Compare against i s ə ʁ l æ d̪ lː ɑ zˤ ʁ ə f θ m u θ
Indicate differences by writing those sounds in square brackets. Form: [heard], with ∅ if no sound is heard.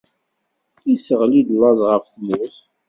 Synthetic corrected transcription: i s ə ʁ l [i] d̪ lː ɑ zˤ ʁ ə f θ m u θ